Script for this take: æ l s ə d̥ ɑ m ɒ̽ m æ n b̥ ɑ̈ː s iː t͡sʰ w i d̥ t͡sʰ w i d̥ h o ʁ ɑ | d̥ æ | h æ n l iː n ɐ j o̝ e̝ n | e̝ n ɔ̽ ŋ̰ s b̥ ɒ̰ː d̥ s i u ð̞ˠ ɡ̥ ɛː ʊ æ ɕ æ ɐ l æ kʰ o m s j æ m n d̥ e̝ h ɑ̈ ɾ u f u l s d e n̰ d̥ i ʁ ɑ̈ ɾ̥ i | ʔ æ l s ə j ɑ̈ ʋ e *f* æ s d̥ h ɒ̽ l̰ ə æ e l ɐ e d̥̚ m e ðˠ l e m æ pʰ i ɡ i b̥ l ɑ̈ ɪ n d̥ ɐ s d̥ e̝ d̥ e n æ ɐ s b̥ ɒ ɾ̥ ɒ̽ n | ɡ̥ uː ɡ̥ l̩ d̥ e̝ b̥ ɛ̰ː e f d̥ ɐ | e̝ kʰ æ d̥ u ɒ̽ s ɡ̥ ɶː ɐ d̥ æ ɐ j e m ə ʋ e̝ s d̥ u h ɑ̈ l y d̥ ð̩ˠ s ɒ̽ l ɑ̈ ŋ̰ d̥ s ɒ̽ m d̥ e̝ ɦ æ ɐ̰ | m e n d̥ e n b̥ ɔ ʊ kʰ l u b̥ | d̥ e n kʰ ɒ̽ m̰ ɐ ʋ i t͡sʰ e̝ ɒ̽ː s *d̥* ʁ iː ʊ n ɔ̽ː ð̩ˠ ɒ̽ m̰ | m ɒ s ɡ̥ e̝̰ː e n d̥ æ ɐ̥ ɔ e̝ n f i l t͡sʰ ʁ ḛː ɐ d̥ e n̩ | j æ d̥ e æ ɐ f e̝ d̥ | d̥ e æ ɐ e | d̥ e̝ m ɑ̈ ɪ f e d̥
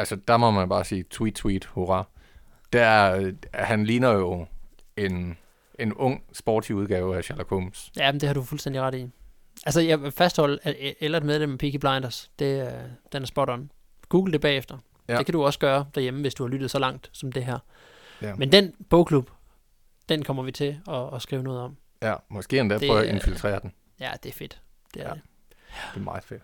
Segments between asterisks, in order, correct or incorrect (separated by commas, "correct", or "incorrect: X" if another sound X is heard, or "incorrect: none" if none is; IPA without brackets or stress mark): correct, incorrect: ɡ̥